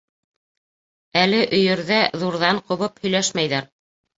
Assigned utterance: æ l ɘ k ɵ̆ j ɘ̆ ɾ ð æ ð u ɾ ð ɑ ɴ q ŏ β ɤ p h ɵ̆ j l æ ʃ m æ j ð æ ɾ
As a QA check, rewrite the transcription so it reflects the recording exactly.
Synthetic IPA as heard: æ l ɘ ʔ ɵ̆ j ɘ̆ ɾ ð æ ð u ɾ ð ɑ ɴ q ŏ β ɤ p h ɵ̆ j l æ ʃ m æ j ð æ ɾ